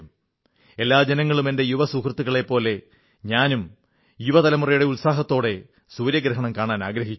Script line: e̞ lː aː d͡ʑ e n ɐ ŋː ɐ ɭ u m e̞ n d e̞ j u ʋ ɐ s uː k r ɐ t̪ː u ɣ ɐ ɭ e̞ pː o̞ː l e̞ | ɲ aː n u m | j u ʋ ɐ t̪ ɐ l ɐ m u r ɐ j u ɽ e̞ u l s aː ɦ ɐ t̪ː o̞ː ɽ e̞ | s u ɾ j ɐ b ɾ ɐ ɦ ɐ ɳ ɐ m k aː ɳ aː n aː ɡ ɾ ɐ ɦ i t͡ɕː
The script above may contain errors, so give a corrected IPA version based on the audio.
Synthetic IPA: e̞ lː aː d͡ʑ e n ɐ ŋː ɐ ɭ u m e̞ n d e̞ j u ʋ ɐ s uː k r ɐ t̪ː u ɣ ɐ ɭ e̞ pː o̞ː l e̞ | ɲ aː n u m | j u ʋ ɐ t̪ ɐ l ɐ m u r ɐ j u ɽ e̞ u l s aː ɦ ɐ t̪ː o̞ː ɽ e̞ | s uː ɾ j ɐ ɡ ɾ ɐ ɦ ɐ ɳ ɐ m k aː ɳ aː n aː ɡ ɾ ɐ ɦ i t͡ɕː